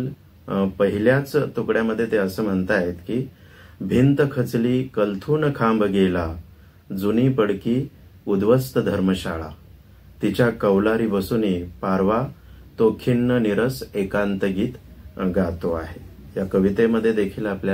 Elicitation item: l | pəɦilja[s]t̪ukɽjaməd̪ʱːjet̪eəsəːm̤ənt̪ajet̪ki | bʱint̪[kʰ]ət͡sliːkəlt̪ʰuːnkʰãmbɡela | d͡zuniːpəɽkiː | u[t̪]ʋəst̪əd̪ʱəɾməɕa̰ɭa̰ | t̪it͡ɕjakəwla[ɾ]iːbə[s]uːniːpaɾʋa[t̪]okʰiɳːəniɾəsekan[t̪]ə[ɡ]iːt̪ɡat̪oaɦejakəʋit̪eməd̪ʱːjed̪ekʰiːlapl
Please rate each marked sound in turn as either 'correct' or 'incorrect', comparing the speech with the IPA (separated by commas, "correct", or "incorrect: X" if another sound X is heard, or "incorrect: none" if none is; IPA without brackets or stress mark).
incorrect: t͡s, correct, incorrect: d̪, correct, correct, correct, correct, correct